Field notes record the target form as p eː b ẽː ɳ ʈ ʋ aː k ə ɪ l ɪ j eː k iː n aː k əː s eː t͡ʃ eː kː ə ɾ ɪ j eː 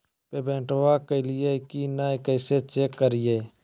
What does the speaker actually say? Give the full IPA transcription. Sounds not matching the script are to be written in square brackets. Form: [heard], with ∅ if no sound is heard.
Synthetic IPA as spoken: p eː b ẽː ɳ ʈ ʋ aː k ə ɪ l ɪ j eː k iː n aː k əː s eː t͡ʃ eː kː ə ɾ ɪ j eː